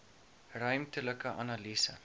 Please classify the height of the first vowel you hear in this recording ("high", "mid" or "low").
mid